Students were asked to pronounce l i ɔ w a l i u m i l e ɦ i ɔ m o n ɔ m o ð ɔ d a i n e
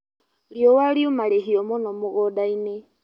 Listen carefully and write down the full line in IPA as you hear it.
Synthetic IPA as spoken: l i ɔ w a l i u m a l e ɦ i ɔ m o n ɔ m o ɣ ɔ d a i n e

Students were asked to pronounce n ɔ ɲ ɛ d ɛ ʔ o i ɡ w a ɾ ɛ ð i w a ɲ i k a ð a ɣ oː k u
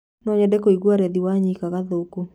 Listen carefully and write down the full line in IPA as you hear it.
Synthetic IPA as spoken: n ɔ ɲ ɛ d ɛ k o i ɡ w a ɾ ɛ ð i w a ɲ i k a ɣ a ð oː k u

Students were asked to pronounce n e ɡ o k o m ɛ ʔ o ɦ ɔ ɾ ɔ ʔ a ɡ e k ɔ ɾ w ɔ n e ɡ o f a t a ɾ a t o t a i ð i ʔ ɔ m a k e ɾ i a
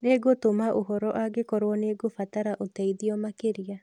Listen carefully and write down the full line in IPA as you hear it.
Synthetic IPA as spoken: n e ɡ o t o m a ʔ o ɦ ɔ ɾ ɔ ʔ a ɡ e k ɔ ɾ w ɔ n e ɡ o f a t a ɾ a ʔ o t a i ð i ɔ m a k e ɾ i a

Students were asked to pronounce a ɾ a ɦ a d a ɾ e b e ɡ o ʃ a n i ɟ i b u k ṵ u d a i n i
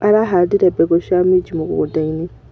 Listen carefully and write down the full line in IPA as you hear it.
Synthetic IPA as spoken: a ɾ a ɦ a d i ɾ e b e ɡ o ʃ a m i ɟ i m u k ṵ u d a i n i

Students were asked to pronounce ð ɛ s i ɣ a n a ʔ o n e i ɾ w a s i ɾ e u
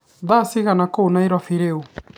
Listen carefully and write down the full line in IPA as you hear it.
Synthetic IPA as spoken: ð a s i ɣ a n a k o n a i ɾ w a f i ɾ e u

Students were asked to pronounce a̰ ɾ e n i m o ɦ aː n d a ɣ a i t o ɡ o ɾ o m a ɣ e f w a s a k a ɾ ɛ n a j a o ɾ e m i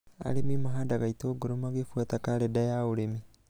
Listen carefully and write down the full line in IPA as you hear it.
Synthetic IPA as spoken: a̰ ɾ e m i m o ɦ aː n d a ɣ a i t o ɡ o ɾ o m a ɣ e f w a t a k a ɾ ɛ d a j a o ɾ e m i

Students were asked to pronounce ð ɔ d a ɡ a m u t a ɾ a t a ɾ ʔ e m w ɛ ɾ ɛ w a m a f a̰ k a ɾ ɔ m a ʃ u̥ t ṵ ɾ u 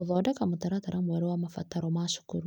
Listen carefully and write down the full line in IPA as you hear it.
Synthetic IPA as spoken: ð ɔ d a k a m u t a ɾ a t a ɾ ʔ a m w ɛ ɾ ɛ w a m a f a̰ t a ɾ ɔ m a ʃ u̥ k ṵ ɾ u

